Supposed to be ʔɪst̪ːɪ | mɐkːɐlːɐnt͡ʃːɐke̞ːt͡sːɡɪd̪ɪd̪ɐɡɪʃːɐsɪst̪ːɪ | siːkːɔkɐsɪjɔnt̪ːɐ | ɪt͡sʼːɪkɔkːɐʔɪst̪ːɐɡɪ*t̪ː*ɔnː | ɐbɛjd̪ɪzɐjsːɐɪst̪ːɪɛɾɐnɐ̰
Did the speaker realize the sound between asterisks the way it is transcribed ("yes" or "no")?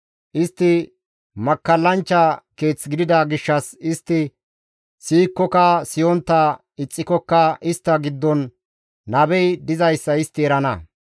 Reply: no